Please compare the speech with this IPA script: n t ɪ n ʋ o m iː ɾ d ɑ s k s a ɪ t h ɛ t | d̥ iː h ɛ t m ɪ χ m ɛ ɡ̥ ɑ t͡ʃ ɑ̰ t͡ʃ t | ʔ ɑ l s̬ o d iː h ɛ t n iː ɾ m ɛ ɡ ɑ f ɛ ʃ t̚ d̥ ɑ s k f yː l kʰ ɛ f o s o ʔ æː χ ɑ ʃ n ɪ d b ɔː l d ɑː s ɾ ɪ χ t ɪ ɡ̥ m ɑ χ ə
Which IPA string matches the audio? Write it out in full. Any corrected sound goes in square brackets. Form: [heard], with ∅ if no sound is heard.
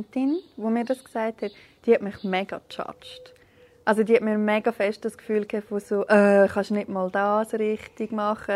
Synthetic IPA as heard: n t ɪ n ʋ o m iː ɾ d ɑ s k s a ɪ t h ɛ t | d̥ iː h ɛ t m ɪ χ m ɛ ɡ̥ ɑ t͡ʃ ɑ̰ t͡ʃ t | ʔ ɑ l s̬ o d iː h ɛ t [m] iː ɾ m ɛ ɡ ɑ f ɛ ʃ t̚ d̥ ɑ s k f yː l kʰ ɛ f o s o ʔ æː χ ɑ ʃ n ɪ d [m] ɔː l d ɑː s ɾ ɪ χ t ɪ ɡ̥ m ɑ χ ə